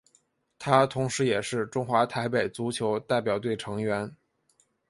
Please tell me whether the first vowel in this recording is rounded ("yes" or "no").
no